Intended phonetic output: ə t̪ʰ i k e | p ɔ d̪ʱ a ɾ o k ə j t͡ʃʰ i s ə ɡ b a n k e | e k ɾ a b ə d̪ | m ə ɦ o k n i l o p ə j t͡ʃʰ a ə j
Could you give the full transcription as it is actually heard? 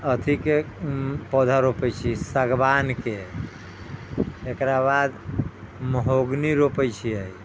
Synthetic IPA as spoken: ə t̪ʰ i k e | p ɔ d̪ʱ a ɾ o p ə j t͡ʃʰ i s ə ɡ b a n k e | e k ɾ a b a d̪ | m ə ɦ o ɡ n i ɾ o p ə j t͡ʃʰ i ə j